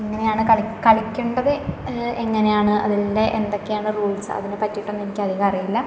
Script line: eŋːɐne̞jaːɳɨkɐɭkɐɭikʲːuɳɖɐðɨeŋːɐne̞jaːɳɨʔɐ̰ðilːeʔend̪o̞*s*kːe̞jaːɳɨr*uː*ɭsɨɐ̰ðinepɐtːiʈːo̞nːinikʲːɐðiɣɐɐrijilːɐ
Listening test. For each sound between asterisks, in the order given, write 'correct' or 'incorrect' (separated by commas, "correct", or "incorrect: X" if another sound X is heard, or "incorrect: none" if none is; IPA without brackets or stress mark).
incorrect: none, correct